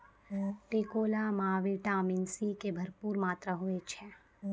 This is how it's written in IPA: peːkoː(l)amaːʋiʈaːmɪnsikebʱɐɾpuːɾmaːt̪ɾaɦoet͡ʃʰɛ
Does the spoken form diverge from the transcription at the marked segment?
no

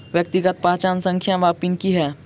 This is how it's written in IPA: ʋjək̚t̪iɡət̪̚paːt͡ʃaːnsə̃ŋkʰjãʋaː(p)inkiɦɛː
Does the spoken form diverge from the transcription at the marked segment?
no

